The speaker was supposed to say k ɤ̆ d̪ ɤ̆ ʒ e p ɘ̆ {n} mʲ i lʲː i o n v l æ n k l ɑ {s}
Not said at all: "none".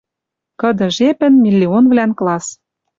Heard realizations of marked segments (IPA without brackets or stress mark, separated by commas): n, s